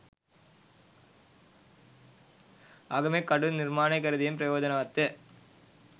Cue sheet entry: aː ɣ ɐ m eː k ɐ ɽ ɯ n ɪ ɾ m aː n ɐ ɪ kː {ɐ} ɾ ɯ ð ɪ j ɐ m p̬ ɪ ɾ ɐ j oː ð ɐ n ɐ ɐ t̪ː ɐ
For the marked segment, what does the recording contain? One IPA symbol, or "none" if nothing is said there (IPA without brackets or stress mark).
ɐ